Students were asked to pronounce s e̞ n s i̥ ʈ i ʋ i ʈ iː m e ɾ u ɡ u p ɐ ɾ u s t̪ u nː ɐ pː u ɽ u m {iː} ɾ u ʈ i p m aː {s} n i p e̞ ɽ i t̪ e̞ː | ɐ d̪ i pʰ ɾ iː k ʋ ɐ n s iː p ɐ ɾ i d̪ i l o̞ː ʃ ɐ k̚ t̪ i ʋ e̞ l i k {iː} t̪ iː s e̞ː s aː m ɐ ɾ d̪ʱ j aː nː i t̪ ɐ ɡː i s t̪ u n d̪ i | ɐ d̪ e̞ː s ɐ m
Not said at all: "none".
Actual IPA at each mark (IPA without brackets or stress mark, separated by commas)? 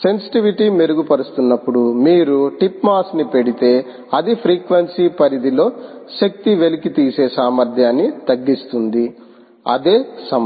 iː, s, i